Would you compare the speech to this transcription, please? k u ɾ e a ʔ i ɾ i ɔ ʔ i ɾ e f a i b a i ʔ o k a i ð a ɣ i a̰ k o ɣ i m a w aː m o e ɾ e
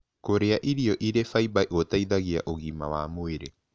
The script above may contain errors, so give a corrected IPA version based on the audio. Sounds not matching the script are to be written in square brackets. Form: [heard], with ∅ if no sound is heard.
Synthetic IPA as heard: k [o] ɾ e a ʔ i ɾ i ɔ ʔ i ɾ e f a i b a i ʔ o [t] a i ð a ɣ i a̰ [ʔ] o ɣ i m a w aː m o e ɾ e

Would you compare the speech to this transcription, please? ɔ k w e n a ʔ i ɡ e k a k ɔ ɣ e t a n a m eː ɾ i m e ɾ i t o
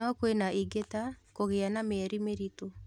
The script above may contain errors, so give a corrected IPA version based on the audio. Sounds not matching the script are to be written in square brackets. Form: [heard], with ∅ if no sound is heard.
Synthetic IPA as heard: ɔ k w e n a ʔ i ɡ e [t] a k [o] ɣ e [∅] a n a m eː ɾ i m e ɾ i t o

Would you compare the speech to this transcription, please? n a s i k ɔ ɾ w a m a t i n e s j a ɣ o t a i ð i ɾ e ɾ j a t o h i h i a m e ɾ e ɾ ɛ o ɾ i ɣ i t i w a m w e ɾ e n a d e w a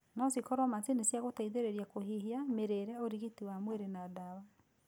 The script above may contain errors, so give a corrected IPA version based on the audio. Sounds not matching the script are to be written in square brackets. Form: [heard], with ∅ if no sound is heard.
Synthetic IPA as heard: n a s i k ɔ ɾ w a m a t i n e s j a ɣ o t a i ð [e] ɾ e ɾ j a [k] o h i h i a m e ɾ e ɾ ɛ o ɾ i ɣ i t i w a m w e ɾ e n a d [a] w a

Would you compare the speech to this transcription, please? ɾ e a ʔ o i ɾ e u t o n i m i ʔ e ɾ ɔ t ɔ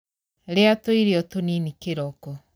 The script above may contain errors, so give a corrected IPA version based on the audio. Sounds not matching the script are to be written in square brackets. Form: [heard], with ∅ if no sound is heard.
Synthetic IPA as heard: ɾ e a [t] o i ɾ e [ɔ] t o n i [n] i [k] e ɾ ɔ [k] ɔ

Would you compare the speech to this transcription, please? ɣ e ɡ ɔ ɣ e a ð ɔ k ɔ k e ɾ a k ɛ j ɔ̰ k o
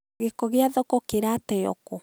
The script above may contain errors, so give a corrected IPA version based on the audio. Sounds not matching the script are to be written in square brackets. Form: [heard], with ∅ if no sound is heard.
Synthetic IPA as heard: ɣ e [k] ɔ ɣ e a ð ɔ k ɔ k e ɾ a [t] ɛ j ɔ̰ k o

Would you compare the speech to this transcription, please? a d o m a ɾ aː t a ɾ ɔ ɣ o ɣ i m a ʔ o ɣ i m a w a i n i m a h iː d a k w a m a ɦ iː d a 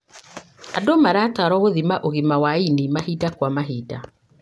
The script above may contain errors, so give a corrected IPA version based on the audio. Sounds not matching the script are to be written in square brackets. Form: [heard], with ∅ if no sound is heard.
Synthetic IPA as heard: a d o m a ɾ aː t a ɾ ɔ ɣ o [ð] i m a ʔ o ɣ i m a w a i n i m a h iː d a k w a m a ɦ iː d a

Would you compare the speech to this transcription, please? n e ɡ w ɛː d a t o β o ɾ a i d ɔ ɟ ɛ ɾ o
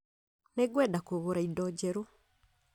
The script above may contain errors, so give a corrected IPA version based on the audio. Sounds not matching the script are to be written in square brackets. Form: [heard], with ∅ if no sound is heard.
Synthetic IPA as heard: n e ɡ w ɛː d a [k] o β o ɾ a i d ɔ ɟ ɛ ɾ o

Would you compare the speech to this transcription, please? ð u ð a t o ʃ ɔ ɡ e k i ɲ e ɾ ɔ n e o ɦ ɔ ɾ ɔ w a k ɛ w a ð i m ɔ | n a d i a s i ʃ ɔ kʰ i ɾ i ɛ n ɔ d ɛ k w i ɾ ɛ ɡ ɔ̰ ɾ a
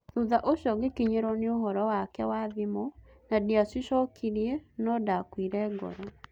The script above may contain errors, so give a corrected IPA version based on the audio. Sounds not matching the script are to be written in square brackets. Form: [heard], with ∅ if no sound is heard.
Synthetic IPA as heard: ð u ð a [ʔ] o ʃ ɔ ɡ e k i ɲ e ɾ ɔ n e o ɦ ɔ ɾ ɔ w a k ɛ w a ð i m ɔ | n a d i a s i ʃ ɔ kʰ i ɾ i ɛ n ɔ d [a] k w i ɾ ɛ ɡ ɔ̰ ɾ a

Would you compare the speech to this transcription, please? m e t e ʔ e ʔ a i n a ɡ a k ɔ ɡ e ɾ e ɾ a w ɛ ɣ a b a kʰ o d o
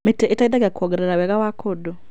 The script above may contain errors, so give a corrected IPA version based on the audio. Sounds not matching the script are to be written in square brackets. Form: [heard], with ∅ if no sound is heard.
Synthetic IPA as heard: m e t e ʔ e [t] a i [d] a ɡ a k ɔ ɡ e ɾ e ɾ a w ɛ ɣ a [w] a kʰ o d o

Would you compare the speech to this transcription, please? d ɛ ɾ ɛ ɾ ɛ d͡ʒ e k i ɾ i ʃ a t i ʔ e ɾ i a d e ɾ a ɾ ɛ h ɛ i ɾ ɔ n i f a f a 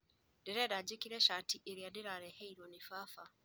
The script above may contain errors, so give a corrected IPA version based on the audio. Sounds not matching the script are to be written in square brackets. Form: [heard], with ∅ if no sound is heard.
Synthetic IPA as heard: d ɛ ɾ ɛ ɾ [a] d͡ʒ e k i ɾ [ɛ] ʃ a t i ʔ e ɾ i a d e ɾ a ɾ ɛ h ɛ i ɾ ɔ n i f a f a

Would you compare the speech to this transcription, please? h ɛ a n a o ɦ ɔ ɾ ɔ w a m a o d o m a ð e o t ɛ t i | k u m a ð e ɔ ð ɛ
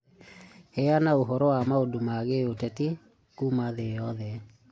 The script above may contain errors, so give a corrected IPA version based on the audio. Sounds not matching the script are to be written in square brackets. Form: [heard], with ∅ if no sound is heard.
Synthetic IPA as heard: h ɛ a n a o ɦ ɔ ɾ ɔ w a m a o d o m a [ɣ] e o t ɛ t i | k u m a ð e ɔ ð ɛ

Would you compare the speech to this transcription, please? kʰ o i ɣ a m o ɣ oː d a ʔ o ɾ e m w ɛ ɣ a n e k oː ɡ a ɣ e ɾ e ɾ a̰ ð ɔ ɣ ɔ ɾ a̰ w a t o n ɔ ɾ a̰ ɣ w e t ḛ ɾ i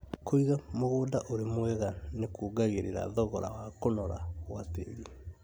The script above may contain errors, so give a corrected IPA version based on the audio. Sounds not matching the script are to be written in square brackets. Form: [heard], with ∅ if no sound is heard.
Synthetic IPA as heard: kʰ o i ɣ a m o ɣ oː d a ʔ o ɾ e m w ɛ ɣ a n e k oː ɡ a ɣ e ɾ e ɾ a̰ ð ɔ ɣ ɔ ɾ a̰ w a [k] o n ɔ ɾ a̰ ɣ w [a] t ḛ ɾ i

